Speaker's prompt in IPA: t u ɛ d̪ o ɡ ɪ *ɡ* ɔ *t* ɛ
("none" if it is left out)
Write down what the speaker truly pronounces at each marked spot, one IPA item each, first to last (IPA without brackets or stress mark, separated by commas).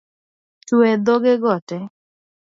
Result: ɡ, t